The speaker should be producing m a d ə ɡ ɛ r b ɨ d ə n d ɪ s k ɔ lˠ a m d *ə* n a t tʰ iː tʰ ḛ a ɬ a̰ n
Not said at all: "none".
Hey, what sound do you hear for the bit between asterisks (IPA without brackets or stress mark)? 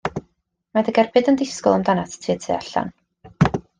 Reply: a